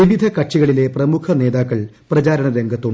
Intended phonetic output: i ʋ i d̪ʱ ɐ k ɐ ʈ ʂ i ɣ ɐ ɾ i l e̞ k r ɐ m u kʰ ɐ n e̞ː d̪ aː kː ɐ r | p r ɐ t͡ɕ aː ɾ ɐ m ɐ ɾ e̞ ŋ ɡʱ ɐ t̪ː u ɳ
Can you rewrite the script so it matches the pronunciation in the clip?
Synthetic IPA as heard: i ʋ i d̪ʱ ɐ k ɐ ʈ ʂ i ɣ ɐ ɭ i l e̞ p r ɐ m u kʰ ɐ n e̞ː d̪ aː kː ɐ ɭ | p r ɐ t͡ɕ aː ɾ ɐ ɳ ɐ ɾ e̞ ŋ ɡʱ ɐ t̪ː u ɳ